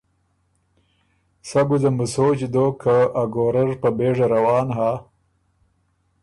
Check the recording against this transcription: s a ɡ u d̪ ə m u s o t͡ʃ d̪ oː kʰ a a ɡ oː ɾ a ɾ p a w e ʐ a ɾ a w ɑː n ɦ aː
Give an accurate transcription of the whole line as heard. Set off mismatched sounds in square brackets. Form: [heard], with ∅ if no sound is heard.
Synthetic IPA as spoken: s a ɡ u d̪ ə m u s o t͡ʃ d̪ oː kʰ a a ɡ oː ɾ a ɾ p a [b] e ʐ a ɾ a w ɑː n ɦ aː